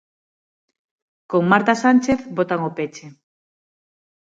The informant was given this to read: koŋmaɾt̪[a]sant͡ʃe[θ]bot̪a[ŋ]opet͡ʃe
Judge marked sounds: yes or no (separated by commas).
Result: yes, yes, yes